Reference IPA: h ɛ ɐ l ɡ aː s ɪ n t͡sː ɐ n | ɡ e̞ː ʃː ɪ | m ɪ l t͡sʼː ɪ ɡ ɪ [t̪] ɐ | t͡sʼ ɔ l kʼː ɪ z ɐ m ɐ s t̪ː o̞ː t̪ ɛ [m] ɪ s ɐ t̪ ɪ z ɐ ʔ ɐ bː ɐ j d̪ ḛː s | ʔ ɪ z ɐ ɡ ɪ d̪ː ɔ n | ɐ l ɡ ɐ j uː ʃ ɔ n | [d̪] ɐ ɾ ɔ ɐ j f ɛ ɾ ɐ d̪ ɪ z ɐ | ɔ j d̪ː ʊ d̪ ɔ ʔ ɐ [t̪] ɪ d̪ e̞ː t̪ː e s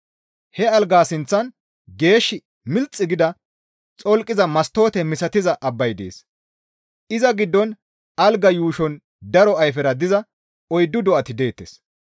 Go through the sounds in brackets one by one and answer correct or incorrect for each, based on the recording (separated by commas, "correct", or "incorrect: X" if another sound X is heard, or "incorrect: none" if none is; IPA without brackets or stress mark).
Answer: incorrect: d̪, correct, correct, correct